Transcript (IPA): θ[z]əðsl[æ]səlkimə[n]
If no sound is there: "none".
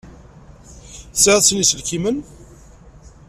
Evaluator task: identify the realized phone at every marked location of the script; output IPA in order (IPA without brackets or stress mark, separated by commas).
s, i, n